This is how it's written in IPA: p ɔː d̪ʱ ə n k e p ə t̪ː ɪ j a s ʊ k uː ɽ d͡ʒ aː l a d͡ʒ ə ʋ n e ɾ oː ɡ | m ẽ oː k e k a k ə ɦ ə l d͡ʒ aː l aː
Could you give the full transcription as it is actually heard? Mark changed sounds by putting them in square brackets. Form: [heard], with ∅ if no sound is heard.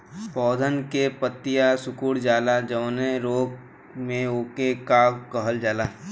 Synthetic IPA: p ɔː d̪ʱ ə n k e p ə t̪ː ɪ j a s ʊ k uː ɽ d͡ʒ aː l a d͡ʒ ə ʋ n e ɾ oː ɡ | m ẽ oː k e k a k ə ɦ ə l d͡ʒ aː l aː